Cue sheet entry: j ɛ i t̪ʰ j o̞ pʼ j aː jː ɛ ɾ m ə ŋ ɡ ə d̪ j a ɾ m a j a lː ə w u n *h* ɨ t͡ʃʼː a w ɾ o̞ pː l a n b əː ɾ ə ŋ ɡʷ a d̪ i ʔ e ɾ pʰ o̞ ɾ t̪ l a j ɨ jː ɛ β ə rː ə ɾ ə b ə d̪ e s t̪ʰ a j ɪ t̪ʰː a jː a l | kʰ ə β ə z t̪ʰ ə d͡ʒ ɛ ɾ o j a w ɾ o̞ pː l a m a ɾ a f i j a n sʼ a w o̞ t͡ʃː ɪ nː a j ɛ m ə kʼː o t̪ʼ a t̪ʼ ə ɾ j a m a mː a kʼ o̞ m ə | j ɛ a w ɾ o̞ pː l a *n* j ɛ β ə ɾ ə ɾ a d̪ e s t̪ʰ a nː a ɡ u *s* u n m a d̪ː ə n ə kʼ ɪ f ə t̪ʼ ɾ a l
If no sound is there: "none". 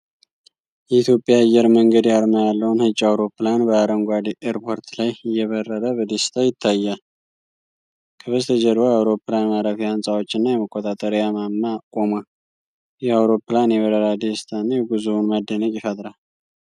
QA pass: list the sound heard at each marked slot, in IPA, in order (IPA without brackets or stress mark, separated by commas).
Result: h, n, z